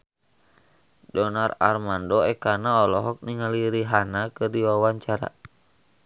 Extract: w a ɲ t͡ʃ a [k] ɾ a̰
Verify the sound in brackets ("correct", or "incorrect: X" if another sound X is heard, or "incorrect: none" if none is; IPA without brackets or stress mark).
incorrect: none